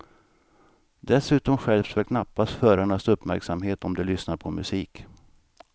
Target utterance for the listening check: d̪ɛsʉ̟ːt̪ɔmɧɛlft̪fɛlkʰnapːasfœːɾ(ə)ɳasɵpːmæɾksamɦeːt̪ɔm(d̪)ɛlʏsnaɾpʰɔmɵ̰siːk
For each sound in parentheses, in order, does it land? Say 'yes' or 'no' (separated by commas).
no, yes